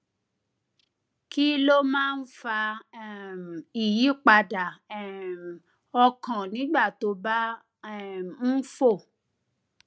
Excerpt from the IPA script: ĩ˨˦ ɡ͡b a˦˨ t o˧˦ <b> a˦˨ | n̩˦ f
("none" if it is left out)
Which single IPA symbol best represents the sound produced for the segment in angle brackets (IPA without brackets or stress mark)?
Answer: b